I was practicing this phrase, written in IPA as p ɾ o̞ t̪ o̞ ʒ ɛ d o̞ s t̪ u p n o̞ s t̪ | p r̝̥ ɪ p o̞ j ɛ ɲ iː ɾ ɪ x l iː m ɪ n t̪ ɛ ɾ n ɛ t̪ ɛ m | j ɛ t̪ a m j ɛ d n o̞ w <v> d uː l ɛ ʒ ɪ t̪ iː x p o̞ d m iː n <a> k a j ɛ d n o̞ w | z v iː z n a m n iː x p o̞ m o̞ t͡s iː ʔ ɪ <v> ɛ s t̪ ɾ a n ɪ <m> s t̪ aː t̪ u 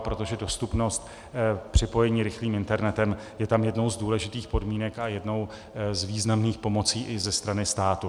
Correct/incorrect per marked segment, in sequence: incorrect: z, incorrect: ɛ, incorrect: z, incorrect: none

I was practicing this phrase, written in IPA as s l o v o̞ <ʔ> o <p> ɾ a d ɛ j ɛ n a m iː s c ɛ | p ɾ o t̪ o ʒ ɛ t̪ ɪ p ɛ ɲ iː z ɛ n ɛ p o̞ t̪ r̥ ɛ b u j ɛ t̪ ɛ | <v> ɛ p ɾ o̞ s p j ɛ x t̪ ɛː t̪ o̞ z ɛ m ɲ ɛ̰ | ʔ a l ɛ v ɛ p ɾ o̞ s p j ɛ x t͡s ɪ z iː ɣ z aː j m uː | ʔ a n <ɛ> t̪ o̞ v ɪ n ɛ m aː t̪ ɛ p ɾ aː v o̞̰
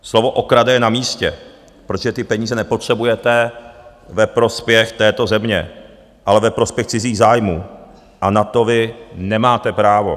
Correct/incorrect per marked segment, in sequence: correct, incorrect: k, correct, incorrect: a

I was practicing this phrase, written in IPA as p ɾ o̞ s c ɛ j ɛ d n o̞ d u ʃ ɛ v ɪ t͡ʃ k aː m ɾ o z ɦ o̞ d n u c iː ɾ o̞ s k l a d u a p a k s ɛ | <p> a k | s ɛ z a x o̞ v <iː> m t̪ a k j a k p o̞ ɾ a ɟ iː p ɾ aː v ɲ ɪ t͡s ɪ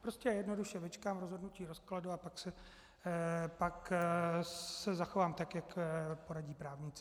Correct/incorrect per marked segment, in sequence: correct, incorrect: aː

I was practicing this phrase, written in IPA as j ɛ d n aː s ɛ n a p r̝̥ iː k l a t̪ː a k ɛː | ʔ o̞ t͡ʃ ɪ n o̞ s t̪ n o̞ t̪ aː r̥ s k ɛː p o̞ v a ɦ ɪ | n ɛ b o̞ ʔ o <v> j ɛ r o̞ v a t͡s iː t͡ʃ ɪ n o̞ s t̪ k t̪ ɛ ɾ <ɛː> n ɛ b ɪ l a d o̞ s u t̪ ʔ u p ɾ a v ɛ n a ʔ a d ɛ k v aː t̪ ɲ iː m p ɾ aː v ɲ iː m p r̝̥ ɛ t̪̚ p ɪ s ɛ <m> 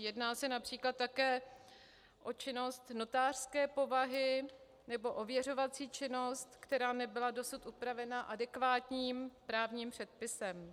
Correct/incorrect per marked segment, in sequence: correct, incorrect: aː, correct

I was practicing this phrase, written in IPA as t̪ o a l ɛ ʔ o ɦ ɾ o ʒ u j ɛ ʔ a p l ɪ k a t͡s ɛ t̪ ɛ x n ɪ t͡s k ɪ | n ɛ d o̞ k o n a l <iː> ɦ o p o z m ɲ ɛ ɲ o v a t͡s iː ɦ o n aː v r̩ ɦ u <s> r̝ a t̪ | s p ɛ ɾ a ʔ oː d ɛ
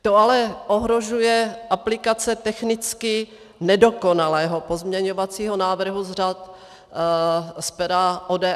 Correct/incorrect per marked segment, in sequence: incorrect: ɛː, incorrect: z

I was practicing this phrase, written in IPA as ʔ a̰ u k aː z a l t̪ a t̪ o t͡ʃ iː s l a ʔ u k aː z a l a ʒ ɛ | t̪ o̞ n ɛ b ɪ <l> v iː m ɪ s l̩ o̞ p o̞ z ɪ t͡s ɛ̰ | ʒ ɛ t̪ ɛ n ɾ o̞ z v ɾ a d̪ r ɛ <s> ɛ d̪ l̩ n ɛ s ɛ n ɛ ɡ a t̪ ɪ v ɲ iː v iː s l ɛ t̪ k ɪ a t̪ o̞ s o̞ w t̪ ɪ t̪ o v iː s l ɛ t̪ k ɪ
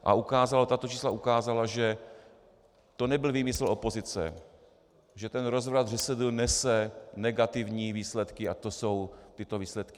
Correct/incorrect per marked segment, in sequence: correct, correct

